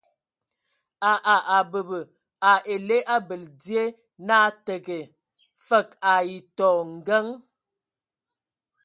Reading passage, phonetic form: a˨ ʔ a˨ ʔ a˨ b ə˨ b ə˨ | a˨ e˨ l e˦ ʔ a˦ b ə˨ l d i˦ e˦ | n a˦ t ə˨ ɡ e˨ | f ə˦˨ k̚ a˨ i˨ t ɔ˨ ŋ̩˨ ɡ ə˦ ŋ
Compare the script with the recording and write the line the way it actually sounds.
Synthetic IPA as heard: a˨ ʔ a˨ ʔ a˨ b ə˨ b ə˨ | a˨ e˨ l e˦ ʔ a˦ b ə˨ l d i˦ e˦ | n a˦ t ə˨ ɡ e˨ | f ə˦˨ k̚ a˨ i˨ t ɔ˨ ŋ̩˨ ɡ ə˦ ŋ